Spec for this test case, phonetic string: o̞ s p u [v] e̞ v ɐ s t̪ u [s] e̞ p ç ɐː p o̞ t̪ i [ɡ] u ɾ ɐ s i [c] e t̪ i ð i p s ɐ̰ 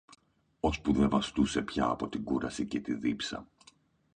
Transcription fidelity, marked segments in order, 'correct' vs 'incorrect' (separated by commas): incorrect, correct, correct, correct